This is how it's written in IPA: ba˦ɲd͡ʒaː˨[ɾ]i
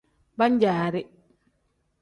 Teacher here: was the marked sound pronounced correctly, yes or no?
yes